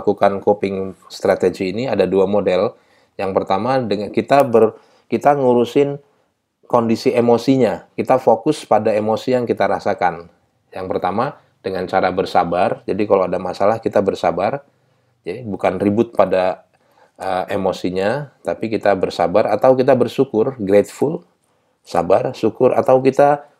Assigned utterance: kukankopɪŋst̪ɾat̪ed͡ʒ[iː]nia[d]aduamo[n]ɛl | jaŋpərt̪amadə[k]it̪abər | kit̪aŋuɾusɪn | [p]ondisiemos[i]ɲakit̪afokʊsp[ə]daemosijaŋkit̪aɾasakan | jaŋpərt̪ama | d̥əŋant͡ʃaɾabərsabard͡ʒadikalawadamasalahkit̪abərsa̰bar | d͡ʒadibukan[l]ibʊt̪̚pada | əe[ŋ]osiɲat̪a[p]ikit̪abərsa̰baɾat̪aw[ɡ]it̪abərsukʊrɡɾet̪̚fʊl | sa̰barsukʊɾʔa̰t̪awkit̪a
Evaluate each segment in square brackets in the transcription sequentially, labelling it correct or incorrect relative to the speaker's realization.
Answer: correct, correct, incorrect: d, correct, incorrect: k, correct, incorrect: a, incorrect: r, incorrect: m, correct, incorrect: k

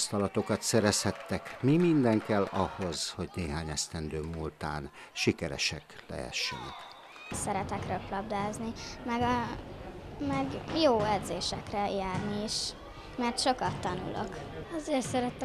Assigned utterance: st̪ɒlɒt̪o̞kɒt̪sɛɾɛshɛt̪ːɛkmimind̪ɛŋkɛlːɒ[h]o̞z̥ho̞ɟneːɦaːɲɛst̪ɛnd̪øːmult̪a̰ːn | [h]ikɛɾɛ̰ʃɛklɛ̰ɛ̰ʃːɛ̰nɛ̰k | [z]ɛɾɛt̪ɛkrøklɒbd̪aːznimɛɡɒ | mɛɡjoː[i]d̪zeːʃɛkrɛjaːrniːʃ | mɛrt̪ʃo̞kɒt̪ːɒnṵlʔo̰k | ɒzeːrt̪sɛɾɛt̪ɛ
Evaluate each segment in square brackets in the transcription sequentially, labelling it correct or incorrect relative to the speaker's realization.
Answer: correct, incorrect: ʃ, incorrect: s, incorrect: ɛ

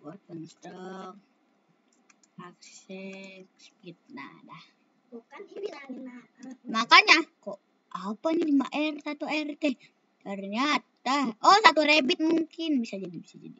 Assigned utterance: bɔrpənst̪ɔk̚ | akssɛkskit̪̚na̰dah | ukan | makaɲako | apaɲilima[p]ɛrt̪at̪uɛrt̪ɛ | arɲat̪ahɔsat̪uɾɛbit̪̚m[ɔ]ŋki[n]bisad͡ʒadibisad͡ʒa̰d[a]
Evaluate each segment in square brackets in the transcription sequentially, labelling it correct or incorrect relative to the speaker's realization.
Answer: incorrect: ʔ, incorrect: u, correct, incorrect: i

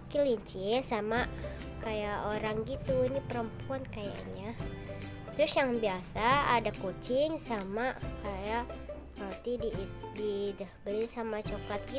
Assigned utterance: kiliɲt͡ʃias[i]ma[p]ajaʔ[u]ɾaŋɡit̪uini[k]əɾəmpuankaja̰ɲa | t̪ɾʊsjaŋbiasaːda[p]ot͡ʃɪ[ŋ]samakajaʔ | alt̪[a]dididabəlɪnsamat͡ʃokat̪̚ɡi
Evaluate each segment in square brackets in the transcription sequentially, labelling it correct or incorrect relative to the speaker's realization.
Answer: incorrect: a, incorrect: k, incorrect: o, incorrect: p, incorrect: k, correct, incorrect: i

